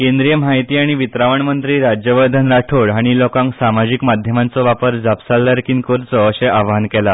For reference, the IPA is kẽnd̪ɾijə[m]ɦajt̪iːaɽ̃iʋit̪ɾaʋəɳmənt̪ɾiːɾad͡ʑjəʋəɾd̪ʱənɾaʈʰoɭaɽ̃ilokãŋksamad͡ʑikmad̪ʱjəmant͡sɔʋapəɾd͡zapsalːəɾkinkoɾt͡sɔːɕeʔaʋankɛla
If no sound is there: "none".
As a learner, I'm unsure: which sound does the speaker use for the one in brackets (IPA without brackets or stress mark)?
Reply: m